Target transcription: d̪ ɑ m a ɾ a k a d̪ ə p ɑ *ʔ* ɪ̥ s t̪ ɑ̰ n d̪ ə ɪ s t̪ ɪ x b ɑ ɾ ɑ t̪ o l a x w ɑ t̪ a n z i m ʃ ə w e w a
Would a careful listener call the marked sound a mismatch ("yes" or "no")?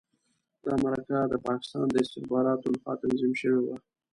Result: yes